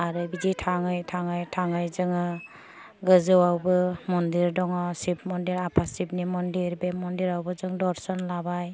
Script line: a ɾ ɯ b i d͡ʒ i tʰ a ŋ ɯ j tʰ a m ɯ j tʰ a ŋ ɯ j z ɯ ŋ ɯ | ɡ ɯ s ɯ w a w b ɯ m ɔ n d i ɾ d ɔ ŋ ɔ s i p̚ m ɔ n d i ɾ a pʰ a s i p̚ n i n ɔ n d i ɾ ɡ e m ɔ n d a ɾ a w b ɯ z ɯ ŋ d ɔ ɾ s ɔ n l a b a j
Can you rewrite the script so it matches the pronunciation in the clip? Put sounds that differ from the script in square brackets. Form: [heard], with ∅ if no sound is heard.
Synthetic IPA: a ɾ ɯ b i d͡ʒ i tʰ a ŋ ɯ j tʰ a [ŋ] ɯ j tʰ a ŋ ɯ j z ɯ ŋ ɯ | ɡ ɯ [z] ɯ w a w b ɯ m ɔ n d i ɾ d ɔ ŋ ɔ s i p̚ m ɔ n d i ɾ a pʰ a s i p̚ n i [m] ɔ n d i ɾ [b] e m ɔ n d [i] ɾ a w b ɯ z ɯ ŋ d ɔ ɾ s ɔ n l a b a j